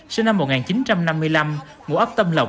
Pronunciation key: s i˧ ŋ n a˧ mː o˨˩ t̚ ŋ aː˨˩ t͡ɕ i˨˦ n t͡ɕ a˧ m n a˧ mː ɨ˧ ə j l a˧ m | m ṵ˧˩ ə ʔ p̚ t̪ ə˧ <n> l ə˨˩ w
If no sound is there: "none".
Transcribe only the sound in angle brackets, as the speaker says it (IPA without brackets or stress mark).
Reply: m